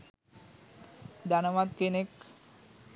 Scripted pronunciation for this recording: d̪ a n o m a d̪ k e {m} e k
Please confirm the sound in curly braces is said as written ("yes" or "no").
no